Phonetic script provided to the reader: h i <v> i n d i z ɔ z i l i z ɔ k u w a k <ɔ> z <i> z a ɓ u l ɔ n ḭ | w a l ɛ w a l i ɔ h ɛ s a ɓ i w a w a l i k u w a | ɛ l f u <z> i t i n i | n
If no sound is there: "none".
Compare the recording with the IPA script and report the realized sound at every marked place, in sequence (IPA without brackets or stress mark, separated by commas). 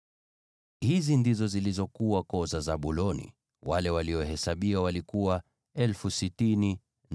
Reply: z, ɔ, a, s